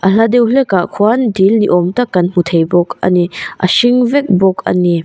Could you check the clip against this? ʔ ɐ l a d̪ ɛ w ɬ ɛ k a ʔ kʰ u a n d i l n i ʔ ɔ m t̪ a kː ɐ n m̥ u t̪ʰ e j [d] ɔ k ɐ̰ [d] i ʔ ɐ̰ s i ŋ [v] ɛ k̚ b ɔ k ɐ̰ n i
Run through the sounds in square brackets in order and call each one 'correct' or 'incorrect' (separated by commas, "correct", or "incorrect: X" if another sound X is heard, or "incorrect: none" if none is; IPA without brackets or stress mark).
incorrect: b, incorrect: n, correct